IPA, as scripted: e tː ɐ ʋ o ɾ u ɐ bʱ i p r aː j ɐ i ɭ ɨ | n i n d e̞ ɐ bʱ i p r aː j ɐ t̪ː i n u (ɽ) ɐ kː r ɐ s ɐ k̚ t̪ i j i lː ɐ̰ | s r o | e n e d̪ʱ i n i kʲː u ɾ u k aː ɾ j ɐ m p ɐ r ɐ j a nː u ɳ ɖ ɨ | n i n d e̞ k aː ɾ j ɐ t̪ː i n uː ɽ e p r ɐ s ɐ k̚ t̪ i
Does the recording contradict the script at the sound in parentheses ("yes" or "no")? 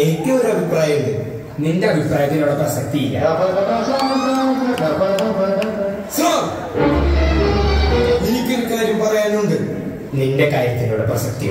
no